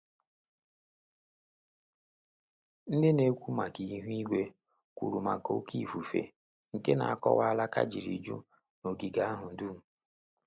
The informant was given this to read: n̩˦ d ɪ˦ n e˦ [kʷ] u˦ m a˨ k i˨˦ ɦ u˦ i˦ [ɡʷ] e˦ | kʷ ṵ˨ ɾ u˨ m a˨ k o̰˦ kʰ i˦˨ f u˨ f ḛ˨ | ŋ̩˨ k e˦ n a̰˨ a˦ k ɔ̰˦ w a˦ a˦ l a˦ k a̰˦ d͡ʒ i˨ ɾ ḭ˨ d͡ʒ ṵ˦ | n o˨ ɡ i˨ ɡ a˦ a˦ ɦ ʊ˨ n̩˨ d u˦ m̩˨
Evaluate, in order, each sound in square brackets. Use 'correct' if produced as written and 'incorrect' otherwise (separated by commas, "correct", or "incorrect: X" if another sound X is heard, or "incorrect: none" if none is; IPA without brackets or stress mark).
correct, correct